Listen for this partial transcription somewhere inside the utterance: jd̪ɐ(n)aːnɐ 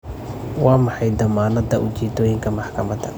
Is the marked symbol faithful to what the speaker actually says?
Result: no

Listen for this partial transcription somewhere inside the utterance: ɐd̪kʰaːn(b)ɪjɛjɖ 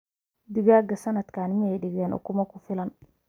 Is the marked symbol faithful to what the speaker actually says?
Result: no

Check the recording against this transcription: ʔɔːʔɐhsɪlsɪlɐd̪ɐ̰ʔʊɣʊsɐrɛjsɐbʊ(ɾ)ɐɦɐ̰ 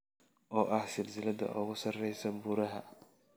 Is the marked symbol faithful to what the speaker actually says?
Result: yes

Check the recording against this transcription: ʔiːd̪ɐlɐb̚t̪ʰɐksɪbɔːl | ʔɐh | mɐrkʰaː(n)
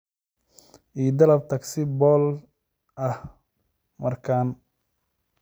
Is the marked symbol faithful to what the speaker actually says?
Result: yes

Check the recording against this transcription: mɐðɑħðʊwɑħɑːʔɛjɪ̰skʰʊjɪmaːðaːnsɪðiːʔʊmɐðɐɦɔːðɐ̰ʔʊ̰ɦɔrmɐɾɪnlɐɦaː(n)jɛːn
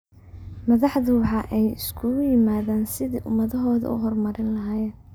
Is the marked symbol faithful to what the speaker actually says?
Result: no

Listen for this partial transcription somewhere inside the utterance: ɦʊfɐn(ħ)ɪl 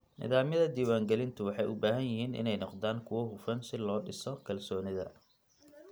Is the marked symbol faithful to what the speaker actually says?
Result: no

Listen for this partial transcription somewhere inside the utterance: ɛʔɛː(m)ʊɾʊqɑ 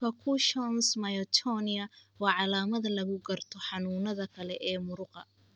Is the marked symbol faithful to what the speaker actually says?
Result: yes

